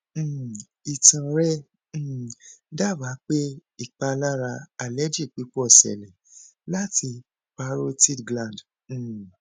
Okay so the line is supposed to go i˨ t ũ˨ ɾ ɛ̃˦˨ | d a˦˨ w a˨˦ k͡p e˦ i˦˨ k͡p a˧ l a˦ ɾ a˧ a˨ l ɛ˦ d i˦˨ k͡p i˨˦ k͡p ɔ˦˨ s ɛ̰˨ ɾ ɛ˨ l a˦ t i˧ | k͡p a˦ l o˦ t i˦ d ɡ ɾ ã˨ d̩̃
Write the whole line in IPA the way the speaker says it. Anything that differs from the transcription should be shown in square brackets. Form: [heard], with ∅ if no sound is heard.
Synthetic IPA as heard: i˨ t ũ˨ ɾ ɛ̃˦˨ | d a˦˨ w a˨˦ k͡p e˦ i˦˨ k͡p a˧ l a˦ ɾ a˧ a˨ l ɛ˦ [d͡ʒ] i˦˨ k͡p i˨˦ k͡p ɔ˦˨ s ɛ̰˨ [l] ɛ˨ l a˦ t i˧ | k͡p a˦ [ɾ] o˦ t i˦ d ɡ [l] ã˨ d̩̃